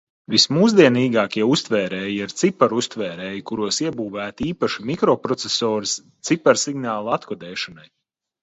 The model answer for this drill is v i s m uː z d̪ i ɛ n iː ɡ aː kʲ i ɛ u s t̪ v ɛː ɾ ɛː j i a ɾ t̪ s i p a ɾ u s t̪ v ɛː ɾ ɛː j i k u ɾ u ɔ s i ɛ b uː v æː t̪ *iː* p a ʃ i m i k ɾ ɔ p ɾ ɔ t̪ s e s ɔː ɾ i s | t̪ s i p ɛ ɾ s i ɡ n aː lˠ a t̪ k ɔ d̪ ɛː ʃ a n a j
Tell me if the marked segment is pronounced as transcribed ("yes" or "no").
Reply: yes